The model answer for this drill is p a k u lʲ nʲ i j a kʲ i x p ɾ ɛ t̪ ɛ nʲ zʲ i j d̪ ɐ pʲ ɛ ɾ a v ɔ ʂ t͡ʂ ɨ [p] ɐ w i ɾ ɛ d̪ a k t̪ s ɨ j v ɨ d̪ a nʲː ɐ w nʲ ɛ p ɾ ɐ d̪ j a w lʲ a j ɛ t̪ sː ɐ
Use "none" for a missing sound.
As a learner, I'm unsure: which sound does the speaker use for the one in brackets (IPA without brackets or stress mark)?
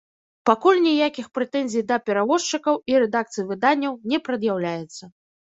k